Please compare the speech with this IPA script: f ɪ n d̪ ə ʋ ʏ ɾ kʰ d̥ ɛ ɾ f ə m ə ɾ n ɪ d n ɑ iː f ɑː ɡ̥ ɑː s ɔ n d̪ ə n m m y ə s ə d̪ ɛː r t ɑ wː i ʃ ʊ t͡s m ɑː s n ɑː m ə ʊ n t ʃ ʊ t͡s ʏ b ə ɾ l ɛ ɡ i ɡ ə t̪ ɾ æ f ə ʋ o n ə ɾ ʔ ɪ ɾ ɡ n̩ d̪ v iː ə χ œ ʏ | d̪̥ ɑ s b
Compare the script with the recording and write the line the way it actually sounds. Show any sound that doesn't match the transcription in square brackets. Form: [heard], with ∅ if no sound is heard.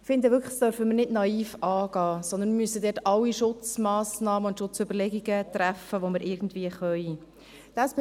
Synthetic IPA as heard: f ɪ n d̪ ə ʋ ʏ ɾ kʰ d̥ [œ] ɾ f ə m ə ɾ n ɪ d n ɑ iː f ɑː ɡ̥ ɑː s ɔ n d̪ ə n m m y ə s ə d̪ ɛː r t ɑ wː i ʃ ʊ t͡s m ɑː s n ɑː m ə ʊ n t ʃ ʊ t͡s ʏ b ə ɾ l ɛ ɡ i ɡ ə t̪ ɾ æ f ə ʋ o [m] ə ɾ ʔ ɪ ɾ ɡ n̩ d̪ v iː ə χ œ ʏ | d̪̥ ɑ s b